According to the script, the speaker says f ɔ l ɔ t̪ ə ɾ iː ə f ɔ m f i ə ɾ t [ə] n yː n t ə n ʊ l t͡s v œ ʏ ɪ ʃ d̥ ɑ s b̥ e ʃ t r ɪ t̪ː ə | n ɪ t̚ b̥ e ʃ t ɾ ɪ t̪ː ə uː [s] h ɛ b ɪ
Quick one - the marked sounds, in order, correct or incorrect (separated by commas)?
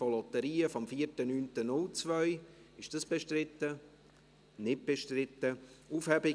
correct, incorrect